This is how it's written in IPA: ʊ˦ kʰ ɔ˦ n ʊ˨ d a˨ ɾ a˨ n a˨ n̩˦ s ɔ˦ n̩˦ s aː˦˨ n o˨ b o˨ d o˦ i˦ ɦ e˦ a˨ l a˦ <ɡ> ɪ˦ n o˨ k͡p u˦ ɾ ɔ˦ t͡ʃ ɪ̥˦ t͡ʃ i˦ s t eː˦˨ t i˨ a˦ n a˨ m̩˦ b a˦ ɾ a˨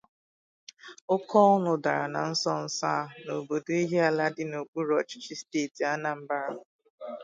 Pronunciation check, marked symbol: incorrect: d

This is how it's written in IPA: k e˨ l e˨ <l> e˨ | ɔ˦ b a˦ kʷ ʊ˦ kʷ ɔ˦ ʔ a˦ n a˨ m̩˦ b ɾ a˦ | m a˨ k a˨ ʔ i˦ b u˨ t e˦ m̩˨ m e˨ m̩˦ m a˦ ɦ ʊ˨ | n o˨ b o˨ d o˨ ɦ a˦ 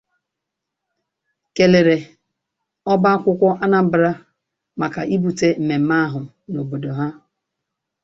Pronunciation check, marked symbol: incorrect: ɾ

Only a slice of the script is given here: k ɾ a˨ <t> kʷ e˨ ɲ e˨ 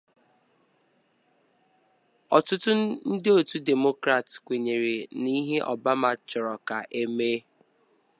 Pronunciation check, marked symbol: correct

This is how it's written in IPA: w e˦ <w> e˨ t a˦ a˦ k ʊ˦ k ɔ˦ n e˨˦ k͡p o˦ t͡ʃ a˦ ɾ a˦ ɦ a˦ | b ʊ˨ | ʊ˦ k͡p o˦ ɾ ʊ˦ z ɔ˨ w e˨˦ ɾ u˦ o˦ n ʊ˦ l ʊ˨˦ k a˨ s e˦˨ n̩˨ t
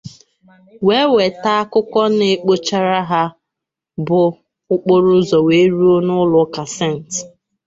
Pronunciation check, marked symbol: correct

